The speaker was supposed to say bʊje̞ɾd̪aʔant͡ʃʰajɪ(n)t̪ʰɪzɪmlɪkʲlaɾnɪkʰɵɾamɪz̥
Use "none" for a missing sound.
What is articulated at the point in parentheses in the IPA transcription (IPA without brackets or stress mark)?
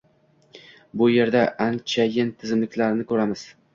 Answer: n